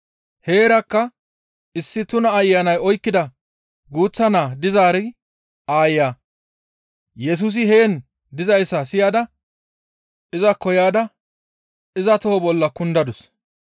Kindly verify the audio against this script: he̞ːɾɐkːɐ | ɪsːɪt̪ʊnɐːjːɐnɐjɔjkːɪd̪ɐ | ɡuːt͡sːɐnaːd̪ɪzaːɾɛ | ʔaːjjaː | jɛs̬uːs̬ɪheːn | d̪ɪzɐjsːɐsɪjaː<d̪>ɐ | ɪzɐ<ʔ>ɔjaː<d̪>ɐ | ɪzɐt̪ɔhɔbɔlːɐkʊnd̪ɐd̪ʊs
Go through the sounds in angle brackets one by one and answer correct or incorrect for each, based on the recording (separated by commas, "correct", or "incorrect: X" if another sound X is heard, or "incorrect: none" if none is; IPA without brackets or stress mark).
correct, incorrect: k, correct